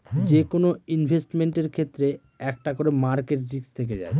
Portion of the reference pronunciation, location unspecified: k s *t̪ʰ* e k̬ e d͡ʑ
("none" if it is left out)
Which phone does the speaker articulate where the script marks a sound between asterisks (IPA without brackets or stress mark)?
t̪ʰ